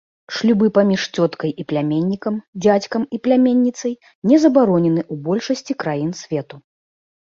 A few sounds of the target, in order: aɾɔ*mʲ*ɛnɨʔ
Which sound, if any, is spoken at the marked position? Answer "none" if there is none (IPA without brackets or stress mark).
nʲ